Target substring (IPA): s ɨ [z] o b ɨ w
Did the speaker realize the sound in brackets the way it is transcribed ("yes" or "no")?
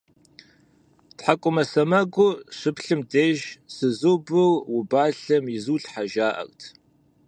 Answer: yes